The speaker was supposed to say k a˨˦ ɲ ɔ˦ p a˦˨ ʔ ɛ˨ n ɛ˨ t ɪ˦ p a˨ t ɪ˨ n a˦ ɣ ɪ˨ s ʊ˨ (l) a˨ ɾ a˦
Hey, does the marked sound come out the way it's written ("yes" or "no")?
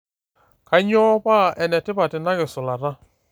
yes